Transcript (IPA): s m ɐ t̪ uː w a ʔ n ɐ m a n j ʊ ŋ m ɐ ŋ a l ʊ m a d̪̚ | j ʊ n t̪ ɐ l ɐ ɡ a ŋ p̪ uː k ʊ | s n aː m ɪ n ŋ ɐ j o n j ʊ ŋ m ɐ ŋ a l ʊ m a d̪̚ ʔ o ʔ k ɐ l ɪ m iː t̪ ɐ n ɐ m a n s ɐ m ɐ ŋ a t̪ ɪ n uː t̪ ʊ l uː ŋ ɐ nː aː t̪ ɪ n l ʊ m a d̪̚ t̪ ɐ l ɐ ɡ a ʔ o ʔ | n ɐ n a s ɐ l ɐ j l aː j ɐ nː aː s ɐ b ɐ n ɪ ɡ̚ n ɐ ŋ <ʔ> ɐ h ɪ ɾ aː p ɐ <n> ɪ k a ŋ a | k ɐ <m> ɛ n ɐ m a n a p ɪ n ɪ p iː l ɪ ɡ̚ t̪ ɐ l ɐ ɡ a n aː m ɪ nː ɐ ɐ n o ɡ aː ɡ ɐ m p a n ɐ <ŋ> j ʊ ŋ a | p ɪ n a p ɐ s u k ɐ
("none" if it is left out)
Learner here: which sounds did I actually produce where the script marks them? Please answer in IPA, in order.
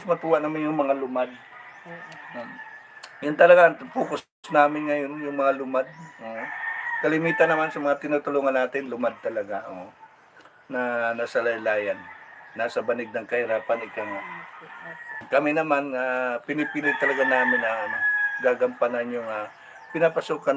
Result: k, n, m, n

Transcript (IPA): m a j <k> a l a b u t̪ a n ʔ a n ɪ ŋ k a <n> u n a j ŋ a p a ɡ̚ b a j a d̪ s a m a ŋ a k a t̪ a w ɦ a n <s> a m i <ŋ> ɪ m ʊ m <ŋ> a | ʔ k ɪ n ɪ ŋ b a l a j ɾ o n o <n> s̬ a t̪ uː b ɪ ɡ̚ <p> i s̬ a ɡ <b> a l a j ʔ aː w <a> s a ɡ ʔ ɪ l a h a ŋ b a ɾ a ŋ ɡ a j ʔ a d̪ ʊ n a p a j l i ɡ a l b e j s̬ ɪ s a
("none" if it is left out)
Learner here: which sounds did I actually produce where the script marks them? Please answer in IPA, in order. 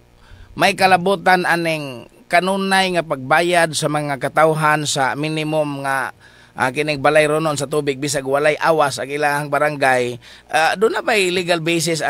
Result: k, n, s, n, ŋ, n, b, w, a

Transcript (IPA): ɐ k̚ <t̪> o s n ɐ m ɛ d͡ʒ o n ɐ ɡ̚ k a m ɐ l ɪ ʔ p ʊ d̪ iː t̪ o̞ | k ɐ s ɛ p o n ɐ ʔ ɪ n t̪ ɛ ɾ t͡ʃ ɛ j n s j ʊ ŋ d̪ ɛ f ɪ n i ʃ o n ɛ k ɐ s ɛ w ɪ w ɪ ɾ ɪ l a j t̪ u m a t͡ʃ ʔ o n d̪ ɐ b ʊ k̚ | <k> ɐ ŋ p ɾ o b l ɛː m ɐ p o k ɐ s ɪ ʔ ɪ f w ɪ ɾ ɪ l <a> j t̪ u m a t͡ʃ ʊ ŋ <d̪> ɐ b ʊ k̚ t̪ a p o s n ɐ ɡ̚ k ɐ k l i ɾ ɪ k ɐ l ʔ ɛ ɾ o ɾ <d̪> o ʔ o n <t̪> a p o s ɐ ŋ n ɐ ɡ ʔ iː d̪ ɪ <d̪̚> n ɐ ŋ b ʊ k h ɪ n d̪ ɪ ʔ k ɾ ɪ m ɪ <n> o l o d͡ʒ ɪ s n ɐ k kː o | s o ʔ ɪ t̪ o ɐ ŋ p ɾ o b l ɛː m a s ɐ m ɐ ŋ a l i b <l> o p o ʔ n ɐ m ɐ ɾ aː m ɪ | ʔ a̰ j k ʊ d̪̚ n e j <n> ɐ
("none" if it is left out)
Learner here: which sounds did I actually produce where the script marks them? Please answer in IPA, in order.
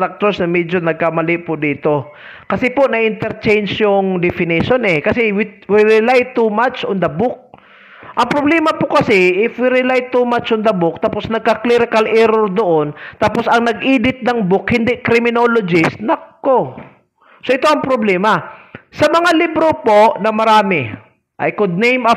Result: t̪, ʔ, a, d̪, d̪, t̪, t̪̚, n, ɾ, m

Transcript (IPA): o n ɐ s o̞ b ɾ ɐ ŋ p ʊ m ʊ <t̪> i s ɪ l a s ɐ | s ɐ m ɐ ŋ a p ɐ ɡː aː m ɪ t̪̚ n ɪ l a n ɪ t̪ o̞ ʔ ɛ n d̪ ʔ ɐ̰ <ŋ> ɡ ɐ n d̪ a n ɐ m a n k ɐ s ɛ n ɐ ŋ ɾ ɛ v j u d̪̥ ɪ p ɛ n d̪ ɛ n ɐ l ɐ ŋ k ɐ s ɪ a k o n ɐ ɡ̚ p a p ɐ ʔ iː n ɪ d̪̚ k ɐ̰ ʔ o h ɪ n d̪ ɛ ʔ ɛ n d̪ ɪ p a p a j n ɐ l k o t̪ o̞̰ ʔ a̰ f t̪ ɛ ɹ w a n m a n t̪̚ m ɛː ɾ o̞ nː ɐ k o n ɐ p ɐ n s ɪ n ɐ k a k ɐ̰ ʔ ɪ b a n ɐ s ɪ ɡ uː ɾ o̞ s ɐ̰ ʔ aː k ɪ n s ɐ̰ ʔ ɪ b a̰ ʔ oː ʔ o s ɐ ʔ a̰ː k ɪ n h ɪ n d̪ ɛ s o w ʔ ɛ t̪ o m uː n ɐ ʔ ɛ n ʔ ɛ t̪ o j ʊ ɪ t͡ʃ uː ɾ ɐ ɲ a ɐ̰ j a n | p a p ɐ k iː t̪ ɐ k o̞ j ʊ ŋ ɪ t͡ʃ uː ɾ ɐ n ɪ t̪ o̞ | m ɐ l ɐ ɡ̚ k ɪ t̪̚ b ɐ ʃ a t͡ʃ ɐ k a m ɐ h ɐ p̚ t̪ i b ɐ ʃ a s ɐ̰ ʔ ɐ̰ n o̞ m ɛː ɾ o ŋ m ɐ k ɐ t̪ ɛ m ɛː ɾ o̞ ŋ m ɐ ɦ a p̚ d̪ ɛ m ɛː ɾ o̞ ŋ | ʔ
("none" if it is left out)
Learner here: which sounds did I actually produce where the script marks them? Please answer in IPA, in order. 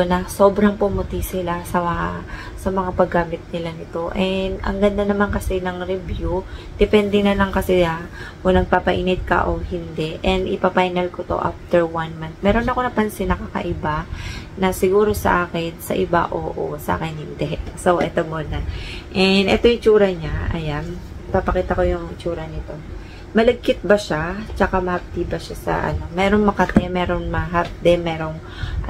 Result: t̪, ŋ

